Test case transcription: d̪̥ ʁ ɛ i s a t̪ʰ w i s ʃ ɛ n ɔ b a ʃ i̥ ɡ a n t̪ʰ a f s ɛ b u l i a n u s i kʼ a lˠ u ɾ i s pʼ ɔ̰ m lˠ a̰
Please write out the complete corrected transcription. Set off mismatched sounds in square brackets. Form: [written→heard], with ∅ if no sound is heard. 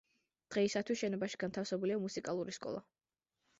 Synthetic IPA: d̪̥ ʁ ɛ i s a t̪ʰ w i s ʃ ɛ n ɔ b a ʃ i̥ ɡ a n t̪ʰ a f s ɛ b u l i a [n→m] u s i kʼ a lˠ u ɾ i s [pʼ→kʼ] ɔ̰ [m→∅] lˠ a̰